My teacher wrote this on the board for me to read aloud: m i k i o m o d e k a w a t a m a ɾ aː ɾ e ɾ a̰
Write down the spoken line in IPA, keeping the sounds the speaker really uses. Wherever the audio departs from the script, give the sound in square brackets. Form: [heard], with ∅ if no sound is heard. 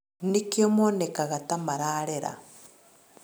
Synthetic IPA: [n] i k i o m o [n] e k a [ɣ] a t a m a ɾ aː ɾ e ɾ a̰